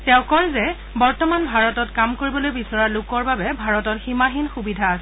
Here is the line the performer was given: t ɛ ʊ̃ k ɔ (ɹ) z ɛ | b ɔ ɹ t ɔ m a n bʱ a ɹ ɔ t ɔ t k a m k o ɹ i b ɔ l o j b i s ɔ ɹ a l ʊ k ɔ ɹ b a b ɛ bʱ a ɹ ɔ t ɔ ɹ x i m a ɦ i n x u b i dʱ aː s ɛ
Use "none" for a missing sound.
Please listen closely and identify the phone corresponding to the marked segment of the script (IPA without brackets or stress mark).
ɹ